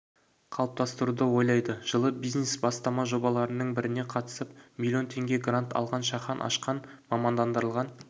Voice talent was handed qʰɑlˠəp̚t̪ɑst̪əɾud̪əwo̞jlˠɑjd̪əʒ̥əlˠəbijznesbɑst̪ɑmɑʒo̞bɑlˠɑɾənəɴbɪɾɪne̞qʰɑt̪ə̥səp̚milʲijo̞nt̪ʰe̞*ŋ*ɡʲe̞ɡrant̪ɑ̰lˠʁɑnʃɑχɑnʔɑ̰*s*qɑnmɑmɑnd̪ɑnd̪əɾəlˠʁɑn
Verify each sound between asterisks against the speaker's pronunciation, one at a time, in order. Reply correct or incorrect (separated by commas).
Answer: correct, incorrect